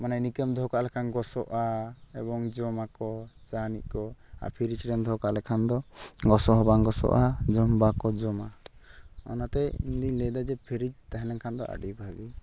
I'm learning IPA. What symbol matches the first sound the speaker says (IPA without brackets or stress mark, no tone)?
m